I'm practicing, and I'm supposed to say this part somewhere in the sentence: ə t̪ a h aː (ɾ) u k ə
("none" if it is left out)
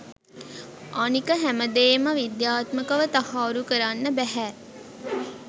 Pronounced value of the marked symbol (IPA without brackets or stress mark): ɾ